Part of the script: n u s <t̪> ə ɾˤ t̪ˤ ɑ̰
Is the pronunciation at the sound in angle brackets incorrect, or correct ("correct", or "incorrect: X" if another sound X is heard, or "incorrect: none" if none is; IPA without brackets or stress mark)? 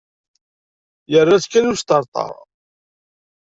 correct